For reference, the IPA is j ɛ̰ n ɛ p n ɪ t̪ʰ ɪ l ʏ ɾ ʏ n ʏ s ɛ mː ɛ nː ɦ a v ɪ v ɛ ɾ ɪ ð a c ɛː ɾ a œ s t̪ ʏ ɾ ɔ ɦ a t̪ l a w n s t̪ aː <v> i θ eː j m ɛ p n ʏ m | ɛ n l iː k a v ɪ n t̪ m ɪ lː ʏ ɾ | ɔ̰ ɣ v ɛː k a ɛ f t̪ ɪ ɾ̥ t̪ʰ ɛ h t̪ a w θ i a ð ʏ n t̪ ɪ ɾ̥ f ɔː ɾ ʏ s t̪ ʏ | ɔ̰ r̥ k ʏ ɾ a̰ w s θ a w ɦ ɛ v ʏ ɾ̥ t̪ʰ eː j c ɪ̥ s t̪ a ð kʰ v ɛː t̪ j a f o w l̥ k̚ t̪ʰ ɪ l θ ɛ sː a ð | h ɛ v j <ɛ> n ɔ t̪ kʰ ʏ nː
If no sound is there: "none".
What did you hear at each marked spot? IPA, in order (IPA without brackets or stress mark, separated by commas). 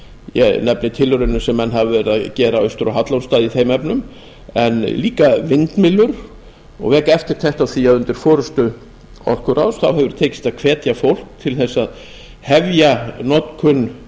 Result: ð, a